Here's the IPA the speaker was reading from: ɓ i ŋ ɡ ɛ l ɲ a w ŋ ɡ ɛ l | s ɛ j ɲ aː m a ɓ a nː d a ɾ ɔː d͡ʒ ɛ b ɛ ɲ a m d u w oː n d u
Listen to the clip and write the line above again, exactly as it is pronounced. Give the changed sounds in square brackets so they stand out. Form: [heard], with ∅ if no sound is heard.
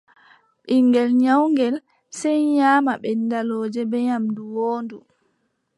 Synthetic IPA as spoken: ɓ i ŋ ɡ ɛ l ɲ a w ŋ ɡ ɛ l | s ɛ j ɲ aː m a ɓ [ɛ] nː d a [l] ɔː d͡ʒ ɛ b ɛ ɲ a m d u w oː n d u